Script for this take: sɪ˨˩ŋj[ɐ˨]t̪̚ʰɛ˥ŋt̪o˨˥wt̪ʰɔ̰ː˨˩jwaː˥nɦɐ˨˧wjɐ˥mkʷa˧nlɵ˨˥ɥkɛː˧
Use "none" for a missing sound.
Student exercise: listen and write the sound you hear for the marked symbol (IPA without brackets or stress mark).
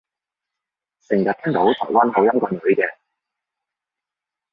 ɐ˨